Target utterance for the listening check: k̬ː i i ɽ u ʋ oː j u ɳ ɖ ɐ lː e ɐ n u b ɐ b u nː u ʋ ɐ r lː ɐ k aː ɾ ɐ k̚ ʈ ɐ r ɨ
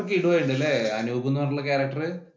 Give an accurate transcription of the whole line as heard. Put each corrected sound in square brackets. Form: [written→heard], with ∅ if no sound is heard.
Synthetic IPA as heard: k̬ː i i ɽ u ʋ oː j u ɳ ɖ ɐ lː e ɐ n u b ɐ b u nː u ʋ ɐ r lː ɐ k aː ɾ ɐ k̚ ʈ ɐ r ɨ